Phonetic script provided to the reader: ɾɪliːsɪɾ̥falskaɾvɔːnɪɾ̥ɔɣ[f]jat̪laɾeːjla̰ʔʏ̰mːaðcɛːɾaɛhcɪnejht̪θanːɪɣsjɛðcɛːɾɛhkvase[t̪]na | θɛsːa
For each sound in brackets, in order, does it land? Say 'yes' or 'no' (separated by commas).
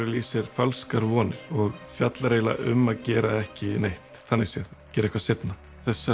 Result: yes, yes